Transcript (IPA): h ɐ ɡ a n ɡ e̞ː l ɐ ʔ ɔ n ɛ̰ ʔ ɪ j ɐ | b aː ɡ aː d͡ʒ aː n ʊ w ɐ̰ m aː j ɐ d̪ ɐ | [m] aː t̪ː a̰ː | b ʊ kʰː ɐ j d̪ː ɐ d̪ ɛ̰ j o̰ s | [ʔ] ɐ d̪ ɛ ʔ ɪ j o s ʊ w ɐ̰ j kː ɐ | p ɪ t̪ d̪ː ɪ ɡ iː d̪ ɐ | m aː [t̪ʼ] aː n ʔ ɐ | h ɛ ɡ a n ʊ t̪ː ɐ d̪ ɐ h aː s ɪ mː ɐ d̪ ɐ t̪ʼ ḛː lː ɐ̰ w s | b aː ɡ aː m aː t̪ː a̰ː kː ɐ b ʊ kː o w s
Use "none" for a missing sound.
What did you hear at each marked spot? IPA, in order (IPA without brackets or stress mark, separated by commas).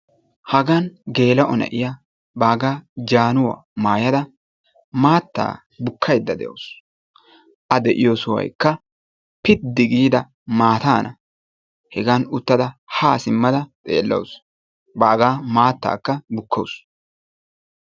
m, ʔ, t̪